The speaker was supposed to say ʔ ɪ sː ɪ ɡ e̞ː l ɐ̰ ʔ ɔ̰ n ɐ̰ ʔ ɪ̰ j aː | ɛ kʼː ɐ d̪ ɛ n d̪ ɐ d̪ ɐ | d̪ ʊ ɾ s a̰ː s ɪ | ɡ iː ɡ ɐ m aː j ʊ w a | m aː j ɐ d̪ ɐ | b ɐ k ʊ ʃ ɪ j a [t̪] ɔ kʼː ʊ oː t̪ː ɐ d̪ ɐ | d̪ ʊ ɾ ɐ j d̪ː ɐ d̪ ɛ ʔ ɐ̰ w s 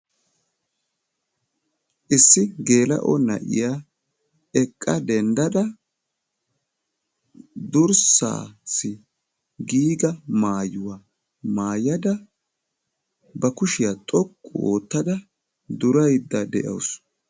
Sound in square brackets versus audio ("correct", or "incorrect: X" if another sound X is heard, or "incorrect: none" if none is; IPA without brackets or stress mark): incorrect: t̪ʼ